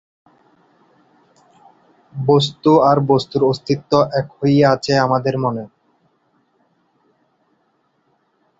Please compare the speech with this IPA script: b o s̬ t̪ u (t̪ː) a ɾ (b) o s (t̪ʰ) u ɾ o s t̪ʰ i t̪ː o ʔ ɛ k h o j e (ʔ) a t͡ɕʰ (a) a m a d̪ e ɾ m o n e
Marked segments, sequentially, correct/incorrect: incorrect, correct, incorrect, incorrect, incorrect

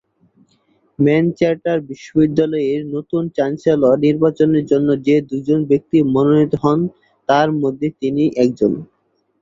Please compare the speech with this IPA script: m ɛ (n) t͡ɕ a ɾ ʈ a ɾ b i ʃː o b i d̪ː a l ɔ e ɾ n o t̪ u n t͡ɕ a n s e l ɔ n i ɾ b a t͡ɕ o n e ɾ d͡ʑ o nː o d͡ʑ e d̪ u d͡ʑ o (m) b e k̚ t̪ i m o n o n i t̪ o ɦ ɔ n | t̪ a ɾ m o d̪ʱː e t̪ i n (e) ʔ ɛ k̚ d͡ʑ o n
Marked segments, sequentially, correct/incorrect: correct, incorrect, incorrect

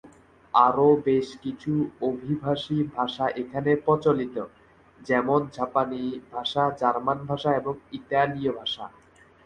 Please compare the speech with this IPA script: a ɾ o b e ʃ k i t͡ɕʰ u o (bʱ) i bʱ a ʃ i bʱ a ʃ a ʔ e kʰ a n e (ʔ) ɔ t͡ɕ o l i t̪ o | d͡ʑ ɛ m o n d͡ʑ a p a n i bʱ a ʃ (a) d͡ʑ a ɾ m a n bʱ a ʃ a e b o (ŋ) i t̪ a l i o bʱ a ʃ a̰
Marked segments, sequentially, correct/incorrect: correct, incorrect, correct, correct

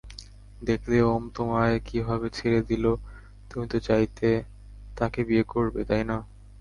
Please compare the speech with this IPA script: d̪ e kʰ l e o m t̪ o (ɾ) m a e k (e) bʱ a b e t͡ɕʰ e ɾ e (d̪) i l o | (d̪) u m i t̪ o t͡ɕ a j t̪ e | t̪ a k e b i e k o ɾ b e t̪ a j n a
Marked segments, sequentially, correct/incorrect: incorrect, incorrect, correct, incorrect

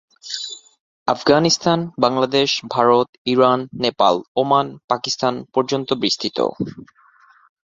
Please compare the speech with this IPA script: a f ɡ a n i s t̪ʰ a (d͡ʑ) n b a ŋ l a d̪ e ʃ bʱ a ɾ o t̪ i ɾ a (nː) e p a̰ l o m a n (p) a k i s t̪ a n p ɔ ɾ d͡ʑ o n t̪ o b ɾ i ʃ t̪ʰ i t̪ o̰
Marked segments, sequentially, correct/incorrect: incorrect, correct, correct

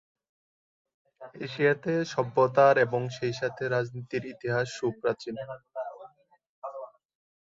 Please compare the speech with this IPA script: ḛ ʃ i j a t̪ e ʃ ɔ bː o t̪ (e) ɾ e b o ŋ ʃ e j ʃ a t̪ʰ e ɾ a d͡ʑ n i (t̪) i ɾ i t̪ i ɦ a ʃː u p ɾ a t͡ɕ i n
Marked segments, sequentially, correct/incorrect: incorrect, correct

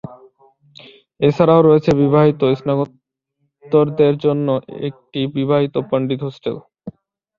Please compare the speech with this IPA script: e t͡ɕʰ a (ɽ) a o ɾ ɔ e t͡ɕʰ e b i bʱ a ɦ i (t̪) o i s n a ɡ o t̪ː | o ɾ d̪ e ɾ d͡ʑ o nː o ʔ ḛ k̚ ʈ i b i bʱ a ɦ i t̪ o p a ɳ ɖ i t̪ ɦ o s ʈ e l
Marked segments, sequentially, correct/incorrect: incorrect, correct

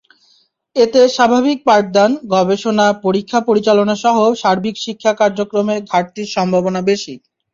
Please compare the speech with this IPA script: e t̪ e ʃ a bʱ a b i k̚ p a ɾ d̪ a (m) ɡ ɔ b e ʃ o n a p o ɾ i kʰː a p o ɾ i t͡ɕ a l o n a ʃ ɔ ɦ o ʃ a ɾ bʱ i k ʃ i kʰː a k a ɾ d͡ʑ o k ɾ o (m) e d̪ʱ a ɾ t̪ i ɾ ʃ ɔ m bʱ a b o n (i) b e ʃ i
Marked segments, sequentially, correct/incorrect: incorrect, correct, incorrect

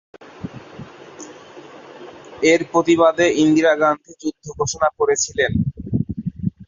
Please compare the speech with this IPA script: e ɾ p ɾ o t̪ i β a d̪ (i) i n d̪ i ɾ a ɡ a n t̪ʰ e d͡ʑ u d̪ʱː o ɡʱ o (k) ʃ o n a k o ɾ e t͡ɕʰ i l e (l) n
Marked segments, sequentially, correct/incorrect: incorrect, incorrect, incorrect

